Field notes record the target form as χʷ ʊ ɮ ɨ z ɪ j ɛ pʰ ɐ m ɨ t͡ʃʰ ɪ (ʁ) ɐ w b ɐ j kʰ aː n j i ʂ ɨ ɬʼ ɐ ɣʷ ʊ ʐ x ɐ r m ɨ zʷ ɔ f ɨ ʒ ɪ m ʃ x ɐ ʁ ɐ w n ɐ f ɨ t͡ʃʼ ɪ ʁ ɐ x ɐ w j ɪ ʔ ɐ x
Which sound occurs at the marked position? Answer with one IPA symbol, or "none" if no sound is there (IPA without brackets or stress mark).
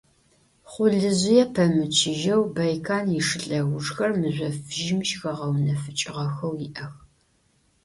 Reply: ʒ